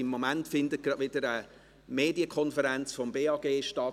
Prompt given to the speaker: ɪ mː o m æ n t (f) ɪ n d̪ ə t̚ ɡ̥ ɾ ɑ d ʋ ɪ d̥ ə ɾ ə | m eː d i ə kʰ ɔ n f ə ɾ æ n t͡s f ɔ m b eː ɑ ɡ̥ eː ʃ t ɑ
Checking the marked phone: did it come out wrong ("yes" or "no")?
no